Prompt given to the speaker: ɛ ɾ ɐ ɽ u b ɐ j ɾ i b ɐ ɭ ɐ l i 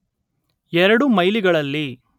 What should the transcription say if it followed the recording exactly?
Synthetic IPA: ɛ ɾ ɐ ɽ u m ɐ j l i ɡ ɐ ɭ ɐ lː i

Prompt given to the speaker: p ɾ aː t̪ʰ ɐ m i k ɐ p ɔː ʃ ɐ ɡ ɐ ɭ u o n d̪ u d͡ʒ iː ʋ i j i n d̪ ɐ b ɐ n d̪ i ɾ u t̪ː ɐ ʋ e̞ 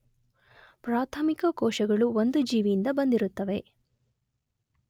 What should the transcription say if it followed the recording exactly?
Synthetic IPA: p ɾ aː t̪ʰ ɐ m i k ɐ k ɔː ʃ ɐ ɡ ɐ ɭ u o n d̪ u d͡ʒ iː ʋ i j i n d̪ ɐ b ɐ n d̪ i ɾ u t̪ː ɐ ʋ e̞

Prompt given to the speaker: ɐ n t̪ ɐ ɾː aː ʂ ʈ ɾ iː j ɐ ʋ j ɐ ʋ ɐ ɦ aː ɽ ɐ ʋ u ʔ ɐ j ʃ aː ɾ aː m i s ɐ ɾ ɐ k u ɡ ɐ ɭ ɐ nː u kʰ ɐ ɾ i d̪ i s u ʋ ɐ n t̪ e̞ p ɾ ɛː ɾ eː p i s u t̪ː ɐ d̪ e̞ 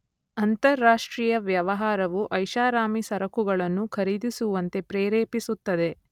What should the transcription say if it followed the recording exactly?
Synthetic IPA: ɐ n t̪ ɐ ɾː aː ʂ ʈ ɾ iː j ɐ ʋ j ɐ ʋ ɐ ɦ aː ɾ ɐ ʋ u ʔ ɐ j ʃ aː ɾ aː m i s ɐ ɾ ɐ k u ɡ ɐ ɭ ɐ nː u kʰ ɐ ɾ i d̪ i s u ʋ ɐ n t̪ e̞ p ɾ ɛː ɾ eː p i s u t̪ː ɐ d̪ e̞

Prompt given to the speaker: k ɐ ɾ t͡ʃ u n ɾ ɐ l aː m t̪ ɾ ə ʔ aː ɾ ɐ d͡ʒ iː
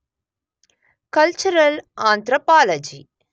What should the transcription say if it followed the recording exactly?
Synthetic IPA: k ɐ l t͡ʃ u ɾ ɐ l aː n t̪ ɾ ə p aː l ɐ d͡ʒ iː

